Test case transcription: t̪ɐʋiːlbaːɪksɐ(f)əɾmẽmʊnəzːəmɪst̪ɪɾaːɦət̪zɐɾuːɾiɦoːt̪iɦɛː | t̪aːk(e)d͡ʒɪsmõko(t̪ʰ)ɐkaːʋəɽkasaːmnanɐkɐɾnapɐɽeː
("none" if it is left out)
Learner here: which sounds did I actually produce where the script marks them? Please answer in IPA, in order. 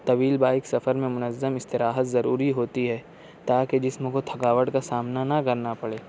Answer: f, e, t̪ʰ

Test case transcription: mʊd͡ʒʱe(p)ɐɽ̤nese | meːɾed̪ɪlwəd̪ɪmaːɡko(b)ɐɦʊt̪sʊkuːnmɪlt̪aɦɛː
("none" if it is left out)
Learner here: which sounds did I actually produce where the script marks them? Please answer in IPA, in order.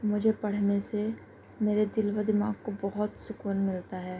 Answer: p, b

